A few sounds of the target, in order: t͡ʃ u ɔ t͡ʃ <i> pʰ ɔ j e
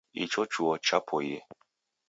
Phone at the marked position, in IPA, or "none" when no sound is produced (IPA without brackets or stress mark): a